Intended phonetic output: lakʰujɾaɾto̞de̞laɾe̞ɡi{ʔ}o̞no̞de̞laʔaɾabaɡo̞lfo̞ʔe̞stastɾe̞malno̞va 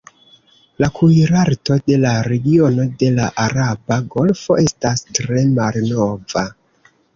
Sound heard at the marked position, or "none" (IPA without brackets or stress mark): none